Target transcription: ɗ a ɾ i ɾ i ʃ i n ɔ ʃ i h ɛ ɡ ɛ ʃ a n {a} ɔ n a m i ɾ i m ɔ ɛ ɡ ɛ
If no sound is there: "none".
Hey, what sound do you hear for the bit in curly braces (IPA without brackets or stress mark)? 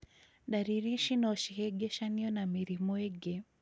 i